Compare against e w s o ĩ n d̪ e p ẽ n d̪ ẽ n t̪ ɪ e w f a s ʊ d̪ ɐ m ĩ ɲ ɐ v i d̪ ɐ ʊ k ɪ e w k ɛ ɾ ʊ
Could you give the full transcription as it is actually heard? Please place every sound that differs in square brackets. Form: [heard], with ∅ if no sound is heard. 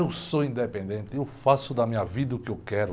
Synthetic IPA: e w s o ĩ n d̪ e p ẽ n d̪ ẽ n t̪ ɪ e w f a s ʊ d̪ ɐ m ĩ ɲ ɐ v i d̪ ɐ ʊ k ɪ e w k ɛ ɾ ʊ

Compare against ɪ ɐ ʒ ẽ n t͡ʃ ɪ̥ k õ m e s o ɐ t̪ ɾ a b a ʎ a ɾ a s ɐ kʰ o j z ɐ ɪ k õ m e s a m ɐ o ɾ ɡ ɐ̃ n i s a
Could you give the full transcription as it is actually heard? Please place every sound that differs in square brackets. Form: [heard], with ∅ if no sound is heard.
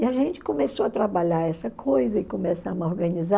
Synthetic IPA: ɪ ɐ ʒ ẽ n t͡ʃ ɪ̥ k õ m e s o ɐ t̪ ɾ a b a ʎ a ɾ [ɛ] s ɐ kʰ o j z ɐ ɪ k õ m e s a m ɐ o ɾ ɡ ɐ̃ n i [z] a

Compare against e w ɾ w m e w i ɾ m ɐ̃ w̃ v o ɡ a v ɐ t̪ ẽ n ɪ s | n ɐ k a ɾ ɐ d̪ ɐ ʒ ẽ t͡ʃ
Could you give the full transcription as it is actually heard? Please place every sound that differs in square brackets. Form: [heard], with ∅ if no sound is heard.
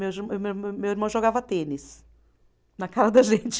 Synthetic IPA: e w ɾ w m e w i ɾ m ɐ̃ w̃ [ʒ] o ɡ a v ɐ t̪ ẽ n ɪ s | n ɐ k a ɾ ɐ d̪ ɐ ʒ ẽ t͡ʃ

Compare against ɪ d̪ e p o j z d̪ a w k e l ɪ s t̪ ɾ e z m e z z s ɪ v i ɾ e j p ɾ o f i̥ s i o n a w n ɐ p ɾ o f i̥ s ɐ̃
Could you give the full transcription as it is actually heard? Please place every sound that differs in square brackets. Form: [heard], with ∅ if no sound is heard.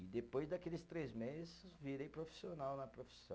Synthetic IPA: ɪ d̪ e p o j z d̪ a [∅] k e l ɪ s t̪ ɾ e z m e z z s ɪ v i ɾ e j p ɾ o f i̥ s i o n a w n ɐ p ɾ o f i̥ s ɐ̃

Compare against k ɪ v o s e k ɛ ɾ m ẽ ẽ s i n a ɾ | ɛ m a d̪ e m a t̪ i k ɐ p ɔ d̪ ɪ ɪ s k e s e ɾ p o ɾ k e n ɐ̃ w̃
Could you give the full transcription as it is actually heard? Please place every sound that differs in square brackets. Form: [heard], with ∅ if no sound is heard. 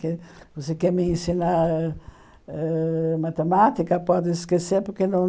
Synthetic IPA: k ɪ v o s e k ɛ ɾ m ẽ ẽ s i n a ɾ | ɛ m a [t̪] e m a t̪ i k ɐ p ɔ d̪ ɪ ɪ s k e s e ɾ p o ɾ k e n ɐ̃ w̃

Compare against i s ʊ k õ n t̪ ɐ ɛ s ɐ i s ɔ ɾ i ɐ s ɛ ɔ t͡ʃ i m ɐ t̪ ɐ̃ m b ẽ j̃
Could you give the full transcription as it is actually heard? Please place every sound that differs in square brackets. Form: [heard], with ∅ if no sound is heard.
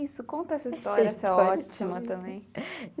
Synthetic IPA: i s ʊ k õ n t̪ ɐ ɛ s ɐ i s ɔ ɾ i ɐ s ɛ ɔ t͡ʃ i m ɐ t̪ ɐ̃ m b ẽ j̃

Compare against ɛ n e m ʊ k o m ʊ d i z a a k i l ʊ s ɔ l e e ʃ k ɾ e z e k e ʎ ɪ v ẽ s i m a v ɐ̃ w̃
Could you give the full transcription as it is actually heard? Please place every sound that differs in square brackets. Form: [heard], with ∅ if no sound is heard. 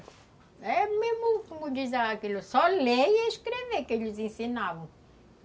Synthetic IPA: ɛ [m] e m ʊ k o m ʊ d i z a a k i l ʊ s ɔ l e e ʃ k ɾ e [v] e k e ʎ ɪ [z] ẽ s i [n] a v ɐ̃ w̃

